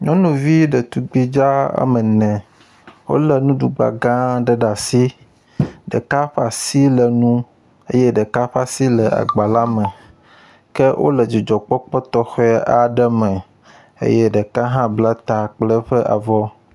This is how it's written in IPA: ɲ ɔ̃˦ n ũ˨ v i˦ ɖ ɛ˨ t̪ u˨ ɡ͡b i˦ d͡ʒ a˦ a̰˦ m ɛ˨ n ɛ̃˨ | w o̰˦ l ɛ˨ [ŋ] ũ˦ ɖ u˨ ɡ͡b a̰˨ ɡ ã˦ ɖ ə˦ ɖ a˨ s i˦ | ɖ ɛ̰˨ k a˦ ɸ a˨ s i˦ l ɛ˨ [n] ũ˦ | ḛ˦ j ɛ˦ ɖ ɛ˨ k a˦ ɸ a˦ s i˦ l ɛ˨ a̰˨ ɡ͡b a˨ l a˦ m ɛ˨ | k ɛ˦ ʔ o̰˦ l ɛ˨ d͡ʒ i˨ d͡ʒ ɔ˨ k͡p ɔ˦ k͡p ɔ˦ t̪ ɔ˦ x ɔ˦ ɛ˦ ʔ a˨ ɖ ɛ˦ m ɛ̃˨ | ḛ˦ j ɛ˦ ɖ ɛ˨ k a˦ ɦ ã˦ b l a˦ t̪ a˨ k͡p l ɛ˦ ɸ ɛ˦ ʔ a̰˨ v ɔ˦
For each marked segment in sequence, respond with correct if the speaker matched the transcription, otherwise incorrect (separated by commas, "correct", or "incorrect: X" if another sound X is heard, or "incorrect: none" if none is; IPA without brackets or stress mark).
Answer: incorrect: n, correct